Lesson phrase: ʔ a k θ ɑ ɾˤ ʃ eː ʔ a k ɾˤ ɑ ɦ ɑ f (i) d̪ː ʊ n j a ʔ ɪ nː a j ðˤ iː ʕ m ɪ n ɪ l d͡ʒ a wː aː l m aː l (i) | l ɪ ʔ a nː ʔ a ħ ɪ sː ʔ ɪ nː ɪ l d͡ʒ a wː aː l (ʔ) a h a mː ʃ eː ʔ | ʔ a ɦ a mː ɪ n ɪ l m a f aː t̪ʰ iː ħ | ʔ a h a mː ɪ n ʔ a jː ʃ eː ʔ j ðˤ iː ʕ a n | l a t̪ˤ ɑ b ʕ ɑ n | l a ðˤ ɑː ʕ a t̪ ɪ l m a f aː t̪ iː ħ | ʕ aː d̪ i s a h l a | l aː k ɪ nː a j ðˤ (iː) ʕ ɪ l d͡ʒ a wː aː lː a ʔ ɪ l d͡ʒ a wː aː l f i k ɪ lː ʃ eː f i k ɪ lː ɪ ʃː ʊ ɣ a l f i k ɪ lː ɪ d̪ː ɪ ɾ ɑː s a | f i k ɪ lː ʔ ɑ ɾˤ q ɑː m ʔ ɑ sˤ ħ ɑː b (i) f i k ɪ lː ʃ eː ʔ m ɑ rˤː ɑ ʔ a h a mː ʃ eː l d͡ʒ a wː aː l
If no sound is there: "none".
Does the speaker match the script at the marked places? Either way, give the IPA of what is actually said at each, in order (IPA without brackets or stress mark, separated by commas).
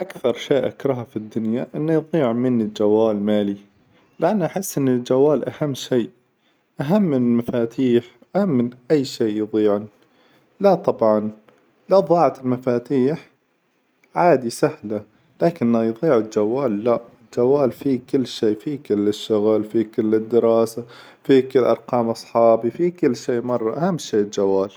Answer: i, i, ʔ, iː, i